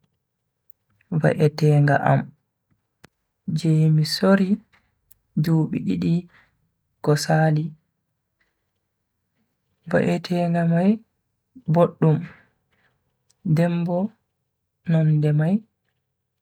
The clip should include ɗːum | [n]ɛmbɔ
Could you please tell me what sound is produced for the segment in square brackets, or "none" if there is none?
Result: d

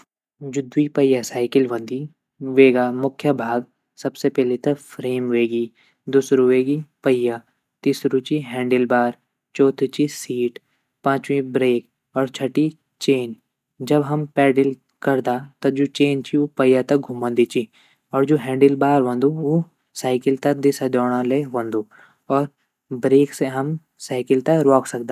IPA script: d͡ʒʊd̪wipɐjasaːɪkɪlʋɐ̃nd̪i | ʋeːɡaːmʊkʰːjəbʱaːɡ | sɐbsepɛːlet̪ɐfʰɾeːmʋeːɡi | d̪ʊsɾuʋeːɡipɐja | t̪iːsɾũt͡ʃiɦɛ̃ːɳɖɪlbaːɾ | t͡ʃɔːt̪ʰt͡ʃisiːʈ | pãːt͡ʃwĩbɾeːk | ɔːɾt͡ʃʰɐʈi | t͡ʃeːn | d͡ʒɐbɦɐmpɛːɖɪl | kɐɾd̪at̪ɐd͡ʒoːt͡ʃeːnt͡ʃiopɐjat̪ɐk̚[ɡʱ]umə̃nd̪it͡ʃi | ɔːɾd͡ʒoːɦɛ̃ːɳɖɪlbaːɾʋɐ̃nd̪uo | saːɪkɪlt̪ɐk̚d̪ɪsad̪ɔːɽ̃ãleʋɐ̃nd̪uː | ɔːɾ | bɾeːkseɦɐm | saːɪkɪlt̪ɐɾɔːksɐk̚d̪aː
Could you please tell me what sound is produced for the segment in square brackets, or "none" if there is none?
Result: ɡʱ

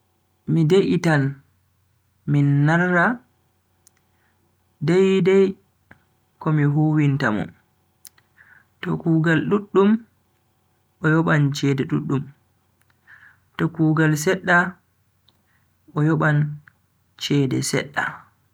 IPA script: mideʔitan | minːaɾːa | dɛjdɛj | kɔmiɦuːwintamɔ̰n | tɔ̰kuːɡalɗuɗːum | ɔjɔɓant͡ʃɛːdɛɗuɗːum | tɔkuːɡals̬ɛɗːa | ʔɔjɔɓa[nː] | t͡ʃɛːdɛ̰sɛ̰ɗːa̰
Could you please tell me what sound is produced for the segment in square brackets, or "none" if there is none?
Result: n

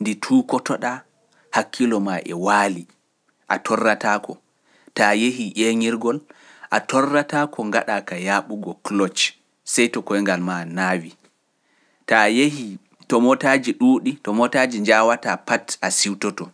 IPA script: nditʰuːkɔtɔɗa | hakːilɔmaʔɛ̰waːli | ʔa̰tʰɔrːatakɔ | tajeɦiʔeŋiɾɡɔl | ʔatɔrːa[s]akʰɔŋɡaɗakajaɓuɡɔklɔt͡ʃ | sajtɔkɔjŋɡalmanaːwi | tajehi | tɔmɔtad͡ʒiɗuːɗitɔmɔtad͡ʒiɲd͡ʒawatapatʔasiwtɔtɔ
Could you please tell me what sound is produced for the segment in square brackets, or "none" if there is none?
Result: t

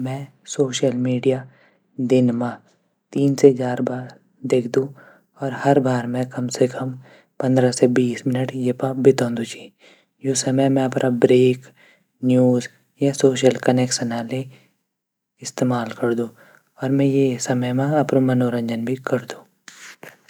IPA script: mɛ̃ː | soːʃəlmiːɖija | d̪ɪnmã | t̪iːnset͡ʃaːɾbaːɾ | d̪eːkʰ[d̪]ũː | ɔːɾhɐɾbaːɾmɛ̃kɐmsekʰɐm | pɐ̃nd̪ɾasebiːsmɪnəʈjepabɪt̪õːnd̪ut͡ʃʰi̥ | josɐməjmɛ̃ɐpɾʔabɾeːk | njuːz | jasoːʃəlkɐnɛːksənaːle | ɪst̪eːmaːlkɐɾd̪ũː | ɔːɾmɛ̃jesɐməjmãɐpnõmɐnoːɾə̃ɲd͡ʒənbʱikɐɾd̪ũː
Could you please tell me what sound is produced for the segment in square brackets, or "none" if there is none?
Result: d̪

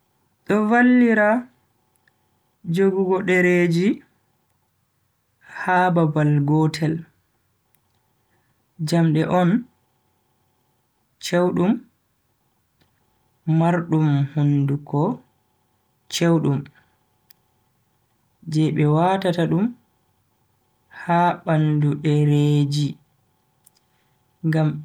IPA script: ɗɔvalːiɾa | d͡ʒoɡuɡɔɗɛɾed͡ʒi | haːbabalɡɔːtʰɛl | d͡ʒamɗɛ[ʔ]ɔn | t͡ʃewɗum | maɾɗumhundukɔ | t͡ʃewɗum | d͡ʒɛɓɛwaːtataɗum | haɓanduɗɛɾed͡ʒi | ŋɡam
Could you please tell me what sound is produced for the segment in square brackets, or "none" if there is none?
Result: ʔ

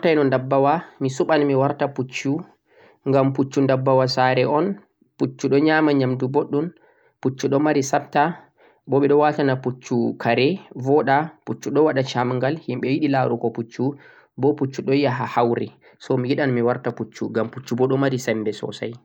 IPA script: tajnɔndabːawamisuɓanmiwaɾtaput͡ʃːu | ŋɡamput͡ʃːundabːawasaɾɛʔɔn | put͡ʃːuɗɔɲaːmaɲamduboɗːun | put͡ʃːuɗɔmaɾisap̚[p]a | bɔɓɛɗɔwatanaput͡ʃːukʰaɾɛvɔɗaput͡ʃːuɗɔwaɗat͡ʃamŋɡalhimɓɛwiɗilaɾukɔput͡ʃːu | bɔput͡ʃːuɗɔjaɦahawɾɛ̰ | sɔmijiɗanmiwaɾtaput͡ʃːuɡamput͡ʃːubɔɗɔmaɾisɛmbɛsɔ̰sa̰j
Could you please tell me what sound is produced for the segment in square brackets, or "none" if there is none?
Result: t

